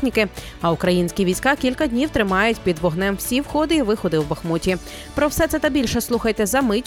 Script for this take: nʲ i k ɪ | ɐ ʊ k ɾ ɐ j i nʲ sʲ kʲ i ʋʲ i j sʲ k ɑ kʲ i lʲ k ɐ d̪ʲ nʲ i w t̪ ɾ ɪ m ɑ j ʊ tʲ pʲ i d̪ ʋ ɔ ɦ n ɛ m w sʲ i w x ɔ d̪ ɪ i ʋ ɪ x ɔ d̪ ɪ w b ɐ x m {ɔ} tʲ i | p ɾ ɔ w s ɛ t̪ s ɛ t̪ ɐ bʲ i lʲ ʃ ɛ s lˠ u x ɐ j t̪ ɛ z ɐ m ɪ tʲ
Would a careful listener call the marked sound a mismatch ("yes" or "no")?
yes